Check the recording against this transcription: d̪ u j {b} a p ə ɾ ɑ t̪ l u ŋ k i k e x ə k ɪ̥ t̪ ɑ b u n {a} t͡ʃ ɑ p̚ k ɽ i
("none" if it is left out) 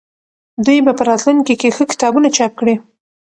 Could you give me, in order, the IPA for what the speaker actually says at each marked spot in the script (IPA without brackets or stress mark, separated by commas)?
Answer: b, a